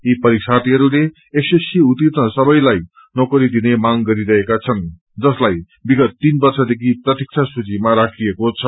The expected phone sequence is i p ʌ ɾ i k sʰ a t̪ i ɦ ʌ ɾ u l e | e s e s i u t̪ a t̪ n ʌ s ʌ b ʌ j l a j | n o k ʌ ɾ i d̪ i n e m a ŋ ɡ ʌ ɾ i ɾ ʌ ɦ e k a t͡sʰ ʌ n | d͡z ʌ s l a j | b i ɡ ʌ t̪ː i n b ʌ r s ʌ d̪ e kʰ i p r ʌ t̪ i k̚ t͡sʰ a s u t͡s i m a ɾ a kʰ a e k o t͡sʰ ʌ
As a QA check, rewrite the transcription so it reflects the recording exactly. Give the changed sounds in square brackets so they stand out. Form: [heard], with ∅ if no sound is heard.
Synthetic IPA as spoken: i p ʌ ɾ i k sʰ a t̪ i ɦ ʌ ɾ u l e | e s e s i u t̪ [i] t̪ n ʌ s ʌ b ʌ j l a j | n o k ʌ ɾ i d̪ i n e m a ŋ ɡ ʌ ɾ i ɾ ʌ ɦ e k a t͡sʰ ʌ n | d͡z ʌ s l a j | b i ɡ ʌ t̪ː i n b ʌ r s ʌ d̪ e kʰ i p r ʌ t̪ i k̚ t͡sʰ a s u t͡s i m a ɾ a kʰ [i] e k o t͡sʰ ʌ